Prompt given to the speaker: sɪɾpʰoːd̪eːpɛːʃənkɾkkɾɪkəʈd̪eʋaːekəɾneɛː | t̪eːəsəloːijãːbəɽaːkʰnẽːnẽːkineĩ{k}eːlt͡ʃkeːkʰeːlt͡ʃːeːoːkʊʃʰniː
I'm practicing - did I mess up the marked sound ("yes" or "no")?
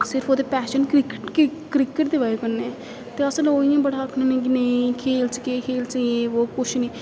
yes